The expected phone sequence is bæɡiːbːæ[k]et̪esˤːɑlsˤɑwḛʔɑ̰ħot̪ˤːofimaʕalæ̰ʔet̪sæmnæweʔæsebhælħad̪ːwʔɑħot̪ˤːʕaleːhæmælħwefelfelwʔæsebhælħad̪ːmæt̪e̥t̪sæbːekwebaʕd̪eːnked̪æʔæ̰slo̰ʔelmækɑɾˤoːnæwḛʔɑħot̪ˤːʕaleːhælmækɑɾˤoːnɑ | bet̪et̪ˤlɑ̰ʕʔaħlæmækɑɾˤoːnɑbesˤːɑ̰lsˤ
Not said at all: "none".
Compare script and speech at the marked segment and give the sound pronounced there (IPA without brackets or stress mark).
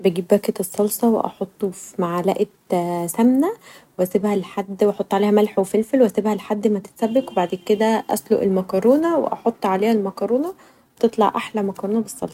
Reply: k